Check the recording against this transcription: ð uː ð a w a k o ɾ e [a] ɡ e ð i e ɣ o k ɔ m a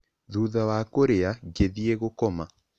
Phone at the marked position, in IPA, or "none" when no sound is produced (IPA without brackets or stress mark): a